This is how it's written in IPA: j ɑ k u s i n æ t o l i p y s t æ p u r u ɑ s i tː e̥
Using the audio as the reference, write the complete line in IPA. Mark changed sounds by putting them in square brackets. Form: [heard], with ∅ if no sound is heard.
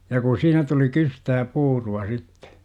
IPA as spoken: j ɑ k u s [iː] n æ t [u] l i [k] y s t [æː] p [uː] r u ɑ s i tː e̥